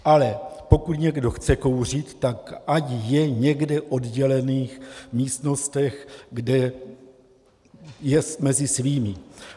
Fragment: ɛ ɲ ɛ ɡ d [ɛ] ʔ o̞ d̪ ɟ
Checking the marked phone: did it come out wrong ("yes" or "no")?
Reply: no